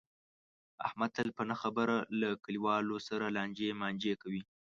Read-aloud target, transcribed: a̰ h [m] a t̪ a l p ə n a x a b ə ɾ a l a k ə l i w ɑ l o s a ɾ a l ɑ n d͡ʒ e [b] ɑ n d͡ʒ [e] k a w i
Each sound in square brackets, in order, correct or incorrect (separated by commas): correct, incorrect, correct